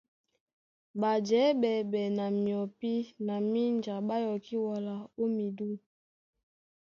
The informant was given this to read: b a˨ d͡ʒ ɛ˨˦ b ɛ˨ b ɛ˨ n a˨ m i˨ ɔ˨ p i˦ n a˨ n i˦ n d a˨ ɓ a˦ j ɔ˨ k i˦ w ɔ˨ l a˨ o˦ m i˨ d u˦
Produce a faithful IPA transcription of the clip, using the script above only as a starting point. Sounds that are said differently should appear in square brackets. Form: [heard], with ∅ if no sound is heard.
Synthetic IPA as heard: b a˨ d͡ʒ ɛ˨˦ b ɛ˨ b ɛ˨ n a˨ m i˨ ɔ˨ p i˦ n a˨ [m] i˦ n [d͡ʒ] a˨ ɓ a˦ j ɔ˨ k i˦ w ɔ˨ l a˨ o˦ m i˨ d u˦